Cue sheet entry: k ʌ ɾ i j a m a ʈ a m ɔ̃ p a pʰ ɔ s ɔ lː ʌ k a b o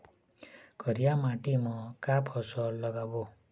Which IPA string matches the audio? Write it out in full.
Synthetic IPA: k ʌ ɾ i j a m a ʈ i m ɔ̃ k a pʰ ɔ s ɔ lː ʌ ɡ a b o